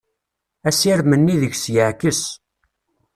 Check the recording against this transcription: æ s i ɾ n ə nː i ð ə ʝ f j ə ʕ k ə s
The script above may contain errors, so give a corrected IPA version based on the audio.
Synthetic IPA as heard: æ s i ɾ m ə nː i ð ə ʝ s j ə ʕ k ə s